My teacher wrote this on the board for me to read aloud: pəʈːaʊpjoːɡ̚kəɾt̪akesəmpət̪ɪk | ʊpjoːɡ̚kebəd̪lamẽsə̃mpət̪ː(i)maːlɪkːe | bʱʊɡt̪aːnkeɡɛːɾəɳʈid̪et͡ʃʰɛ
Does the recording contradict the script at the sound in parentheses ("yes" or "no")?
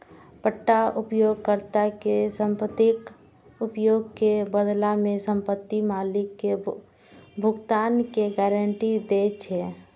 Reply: no